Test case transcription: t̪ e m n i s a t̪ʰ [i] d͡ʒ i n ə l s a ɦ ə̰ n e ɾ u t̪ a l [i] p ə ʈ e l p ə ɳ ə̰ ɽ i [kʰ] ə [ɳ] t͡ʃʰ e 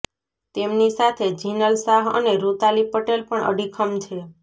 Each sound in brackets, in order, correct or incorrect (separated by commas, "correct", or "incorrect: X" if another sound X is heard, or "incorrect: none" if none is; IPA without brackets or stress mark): incorrect: e, correct, correct, incorrect: m